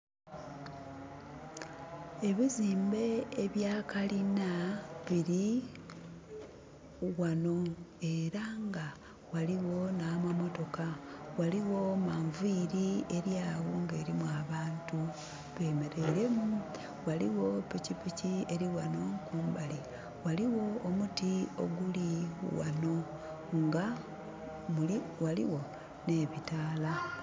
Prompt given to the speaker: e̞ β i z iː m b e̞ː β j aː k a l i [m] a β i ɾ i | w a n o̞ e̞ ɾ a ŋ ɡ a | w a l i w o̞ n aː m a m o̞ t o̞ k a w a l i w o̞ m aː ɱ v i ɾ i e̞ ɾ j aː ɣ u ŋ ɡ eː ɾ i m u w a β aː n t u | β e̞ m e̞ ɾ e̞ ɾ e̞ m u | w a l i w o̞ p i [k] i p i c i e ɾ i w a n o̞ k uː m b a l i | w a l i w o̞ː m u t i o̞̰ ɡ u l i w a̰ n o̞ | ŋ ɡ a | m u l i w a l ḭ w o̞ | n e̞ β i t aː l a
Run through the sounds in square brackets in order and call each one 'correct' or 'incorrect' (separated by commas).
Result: incorrect, incorrect